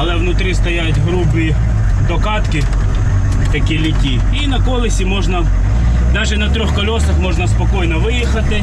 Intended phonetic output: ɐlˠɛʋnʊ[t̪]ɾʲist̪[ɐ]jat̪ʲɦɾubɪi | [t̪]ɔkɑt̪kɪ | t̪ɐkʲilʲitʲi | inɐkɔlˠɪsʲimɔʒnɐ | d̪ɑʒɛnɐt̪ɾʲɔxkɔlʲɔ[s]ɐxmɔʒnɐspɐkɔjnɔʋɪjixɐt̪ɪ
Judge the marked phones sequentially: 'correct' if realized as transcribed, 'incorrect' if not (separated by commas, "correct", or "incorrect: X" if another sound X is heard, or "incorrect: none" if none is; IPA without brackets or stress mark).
correct, correct, incorrect: d̪, correct